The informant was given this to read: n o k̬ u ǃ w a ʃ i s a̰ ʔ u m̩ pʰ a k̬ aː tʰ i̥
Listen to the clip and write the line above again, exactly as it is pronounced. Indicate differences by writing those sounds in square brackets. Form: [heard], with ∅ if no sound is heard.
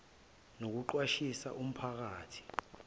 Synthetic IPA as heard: n o k̬ u ǃ w a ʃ i s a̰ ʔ u m̩ pʰ a k̬ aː tʰ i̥